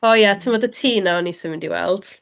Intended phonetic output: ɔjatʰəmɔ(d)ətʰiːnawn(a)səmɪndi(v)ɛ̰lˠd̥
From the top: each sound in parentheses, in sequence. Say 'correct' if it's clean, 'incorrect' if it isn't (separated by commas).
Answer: correct, incorrect, incorrect